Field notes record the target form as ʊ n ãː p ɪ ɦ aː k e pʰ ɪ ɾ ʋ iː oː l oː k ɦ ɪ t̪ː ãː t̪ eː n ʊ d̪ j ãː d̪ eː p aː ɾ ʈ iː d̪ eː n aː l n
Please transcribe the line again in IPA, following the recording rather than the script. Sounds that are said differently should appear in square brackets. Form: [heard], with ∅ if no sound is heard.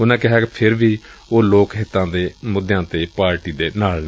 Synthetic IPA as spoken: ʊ n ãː [k] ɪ ɦ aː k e pʰ ɪ ɾ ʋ iː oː l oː k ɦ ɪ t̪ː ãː [d̪] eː [m] ʊ d̪ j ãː [t̪] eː p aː ɾ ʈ iː d̪ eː n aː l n